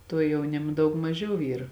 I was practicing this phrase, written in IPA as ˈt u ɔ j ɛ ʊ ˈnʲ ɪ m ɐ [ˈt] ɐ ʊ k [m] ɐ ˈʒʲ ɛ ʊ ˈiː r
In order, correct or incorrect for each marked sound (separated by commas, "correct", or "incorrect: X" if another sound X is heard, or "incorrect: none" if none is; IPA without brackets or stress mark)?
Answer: incorrect: d, correct